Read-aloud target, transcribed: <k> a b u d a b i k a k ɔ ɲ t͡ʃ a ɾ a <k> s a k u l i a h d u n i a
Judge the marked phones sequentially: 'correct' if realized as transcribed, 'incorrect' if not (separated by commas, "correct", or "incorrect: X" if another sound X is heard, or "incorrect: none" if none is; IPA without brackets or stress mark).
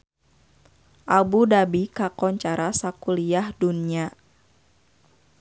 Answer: incorrect: ʔ, incorrect: none